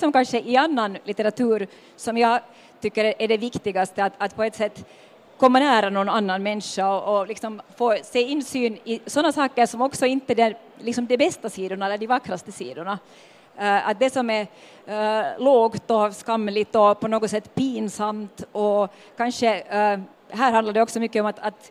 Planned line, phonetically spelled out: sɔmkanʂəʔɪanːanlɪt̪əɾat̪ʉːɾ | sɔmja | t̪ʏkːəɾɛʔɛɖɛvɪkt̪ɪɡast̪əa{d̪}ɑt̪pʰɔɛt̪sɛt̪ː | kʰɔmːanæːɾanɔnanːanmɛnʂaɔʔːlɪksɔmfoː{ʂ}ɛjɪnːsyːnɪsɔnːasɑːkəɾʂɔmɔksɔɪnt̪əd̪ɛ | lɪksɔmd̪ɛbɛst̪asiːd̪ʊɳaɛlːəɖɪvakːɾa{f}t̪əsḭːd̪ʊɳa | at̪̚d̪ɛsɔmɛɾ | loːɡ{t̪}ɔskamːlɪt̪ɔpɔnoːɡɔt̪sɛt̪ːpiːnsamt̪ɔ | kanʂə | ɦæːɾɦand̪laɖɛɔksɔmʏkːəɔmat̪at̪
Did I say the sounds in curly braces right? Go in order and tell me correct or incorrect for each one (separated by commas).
incorrect, incorrect, incorrect, correct